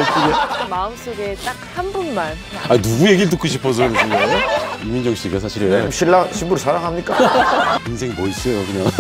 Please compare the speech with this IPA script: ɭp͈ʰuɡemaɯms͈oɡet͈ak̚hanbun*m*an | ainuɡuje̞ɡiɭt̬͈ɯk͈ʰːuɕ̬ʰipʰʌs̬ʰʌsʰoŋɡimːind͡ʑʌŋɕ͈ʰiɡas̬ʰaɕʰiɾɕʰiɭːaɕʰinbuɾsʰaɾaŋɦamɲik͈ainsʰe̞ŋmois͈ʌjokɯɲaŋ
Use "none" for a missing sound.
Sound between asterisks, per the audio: m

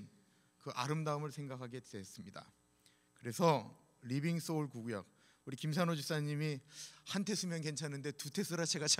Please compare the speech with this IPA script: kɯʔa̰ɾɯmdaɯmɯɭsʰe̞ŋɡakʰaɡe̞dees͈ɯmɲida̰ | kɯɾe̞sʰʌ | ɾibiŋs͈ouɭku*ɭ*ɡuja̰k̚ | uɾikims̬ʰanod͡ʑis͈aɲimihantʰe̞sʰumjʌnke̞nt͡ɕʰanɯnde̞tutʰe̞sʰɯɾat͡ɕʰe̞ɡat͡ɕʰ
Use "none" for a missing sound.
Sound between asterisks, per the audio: none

